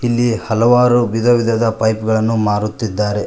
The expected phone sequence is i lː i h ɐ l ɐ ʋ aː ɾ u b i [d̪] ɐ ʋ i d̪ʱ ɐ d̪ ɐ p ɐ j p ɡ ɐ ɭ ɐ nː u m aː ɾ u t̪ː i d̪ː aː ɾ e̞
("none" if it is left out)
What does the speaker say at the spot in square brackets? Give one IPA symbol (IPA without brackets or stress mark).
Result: d̪